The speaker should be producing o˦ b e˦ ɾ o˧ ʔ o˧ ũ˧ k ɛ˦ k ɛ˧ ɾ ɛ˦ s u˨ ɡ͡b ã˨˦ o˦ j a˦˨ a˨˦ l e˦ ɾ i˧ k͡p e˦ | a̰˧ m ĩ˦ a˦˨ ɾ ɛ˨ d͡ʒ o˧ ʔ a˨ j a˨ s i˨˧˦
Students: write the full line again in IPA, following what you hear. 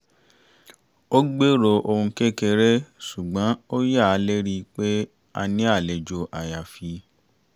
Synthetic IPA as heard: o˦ ɡ͡b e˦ ɾ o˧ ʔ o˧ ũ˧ k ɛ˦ k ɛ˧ ɾ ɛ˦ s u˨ ɡ͡b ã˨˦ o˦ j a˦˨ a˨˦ l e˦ ɾ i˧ k͡p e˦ | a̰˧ n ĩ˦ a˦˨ l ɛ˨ d͡ʒ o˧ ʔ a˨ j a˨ f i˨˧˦